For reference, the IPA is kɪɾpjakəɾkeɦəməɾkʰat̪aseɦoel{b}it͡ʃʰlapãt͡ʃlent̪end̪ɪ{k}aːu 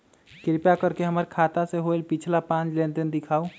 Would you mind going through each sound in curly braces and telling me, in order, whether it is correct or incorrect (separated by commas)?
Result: incorrect, incorrect